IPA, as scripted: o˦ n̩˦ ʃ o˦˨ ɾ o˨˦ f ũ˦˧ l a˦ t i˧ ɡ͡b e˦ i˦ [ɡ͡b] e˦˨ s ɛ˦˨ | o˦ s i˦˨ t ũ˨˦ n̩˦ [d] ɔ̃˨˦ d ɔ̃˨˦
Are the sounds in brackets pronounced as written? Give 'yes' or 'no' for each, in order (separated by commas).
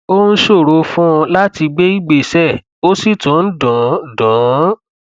yes, yes